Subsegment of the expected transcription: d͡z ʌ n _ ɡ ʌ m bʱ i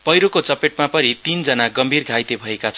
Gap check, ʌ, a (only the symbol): a